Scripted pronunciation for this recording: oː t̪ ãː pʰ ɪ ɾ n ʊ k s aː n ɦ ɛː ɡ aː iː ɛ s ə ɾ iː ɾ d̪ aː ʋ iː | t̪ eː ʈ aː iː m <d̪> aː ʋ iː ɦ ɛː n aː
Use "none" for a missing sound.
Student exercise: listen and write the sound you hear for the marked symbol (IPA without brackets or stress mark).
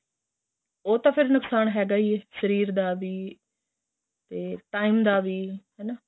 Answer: d̪